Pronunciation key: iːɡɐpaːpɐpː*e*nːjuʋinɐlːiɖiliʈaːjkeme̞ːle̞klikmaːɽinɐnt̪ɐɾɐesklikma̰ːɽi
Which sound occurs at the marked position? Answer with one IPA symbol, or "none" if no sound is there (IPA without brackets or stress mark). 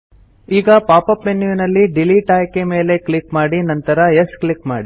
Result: e